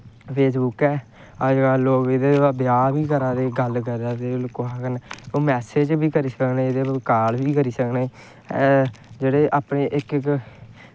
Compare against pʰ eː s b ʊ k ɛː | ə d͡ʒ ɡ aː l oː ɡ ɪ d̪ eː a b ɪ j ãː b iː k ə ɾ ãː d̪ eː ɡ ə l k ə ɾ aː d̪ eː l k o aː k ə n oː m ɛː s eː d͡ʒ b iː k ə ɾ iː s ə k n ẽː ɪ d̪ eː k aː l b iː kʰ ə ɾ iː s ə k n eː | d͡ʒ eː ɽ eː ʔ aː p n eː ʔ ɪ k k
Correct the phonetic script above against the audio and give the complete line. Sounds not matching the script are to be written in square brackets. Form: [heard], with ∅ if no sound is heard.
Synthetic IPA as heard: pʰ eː s b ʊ k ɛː | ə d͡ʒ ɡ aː l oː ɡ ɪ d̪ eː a b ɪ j [aː] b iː k ə ɾ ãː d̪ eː ɡ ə l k ə ɾ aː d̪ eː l k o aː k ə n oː m ɛː s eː d͡ʒ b iː k ə ɾ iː s ə k n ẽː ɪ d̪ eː k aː l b iː [k] ə ɾ iː s ə k n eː | d͡ʒ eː ɽ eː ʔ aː p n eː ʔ ɪ k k

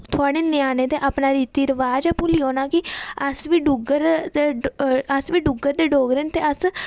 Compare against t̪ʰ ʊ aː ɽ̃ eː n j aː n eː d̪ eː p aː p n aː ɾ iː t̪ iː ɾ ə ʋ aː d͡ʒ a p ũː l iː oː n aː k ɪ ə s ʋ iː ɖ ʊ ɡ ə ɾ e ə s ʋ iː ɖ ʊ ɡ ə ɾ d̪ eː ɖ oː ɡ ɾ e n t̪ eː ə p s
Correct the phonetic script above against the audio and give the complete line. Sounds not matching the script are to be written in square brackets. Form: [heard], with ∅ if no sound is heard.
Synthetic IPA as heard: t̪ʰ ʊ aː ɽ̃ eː n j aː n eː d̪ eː [ʔ] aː p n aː ɾ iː t̪ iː ɾ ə ʋ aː d͡ʒ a p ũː l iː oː n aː k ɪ ə s ʋ iː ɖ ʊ ɡ ə ɾ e ə s ʋ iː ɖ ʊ ɡ ə ɾ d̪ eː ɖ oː ɡ ɾ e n t̪ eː ə [∅] s

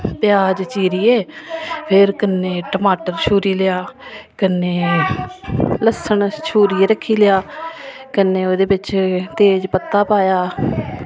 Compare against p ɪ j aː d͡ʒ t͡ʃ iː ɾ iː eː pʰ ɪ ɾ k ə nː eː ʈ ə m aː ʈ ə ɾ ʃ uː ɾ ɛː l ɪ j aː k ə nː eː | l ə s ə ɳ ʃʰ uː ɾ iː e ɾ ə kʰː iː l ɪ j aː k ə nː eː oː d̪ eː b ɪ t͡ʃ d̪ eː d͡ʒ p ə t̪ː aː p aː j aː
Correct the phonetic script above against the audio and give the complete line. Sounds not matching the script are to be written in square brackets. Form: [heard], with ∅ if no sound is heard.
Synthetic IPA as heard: p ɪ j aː d͡ʒ t͡ʃ iː ɾ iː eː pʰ ɪ ɾ k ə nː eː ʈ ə m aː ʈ ə ɾ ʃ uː ɾ [iː] l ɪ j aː k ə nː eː | l ə s ə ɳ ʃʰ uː ɾ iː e ɾ ə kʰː iː l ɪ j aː k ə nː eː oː d̪ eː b ɪ t͡ʃ [t̪] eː d͡ʒ p ə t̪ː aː p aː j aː

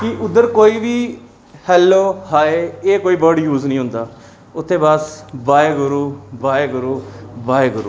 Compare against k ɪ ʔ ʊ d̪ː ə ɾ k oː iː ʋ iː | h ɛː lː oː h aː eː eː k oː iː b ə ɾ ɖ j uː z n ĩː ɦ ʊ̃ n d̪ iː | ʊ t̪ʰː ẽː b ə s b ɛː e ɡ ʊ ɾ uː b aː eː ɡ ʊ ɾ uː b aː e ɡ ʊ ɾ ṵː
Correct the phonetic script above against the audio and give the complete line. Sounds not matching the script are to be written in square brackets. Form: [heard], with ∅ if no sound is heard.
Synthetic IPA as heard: k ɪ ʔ ʊ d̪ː ə ɾ k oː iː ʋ iː | h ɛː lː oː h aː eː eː k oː iː b ə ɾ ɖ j uː z n ĩː ɦ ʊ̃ n d̪ [aː] | ʊ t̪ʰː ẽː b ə s b [aː] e ɡ ʊ ɾ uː b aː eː ɡ ʊ ɾ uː b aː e ɡ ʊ ɾ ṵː

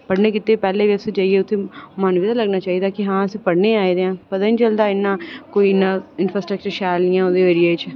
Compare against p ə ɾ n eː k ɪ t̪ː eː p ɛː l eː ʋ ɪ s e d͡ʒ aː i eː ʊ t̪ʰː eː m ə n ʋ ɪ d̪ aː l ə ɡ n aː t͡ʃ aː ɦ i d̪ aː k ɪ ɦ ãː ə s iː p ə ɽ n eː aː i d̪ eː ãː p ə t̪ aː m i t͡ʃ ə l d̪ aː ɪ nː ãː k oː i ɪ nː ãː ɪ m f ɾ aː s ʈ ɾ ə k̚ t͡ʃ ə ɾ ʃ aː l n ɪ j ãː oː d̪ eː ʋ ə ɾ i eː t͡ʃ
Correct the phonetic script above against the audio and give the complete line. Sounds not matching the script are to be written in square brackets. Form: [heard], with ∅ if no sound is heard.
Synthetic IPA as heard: p ə [ɽ] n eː k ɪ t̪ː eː p ɛː l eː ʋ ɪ s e d͡ʒ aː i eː ʊ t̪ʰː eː m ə n ʋ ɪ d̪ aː l ə ɡ n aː t͡ʃ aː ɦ i d̪ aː k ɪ ɦ ãː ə s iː p ə ɽ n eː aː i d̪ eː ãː p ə t̪ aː [n] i t͡ʃ ə l d̪ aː ɪ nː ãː k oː i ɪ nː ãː ɪ [n] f ɾ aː s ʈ ɾ ə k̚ t͡ʃ ə ɾ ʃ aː l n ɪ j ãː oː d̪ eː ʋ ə ɾ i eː t͡ʃ

